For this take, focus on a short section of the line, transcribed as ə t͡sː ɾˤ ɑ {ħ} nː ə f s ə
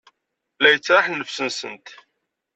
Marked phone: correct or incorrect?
correct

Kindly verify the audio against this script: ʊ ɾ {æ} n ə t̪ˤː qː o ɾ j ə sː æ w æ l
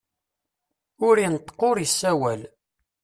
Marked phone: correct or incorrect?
incorrect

